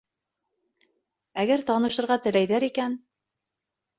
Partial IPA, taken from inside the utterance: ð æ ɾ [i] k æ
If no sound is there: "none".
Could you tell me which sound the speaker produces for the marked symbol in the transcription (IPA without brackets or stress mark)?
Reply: i